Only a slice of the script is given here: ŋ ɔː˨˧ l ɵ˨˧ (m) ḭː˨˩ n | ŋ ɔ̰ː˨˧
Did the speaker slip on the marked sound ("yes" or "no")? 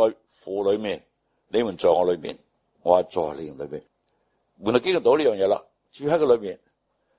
no